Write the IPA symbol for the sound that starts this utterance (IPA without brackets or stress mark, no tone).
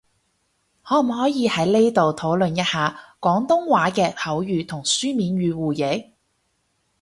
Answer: h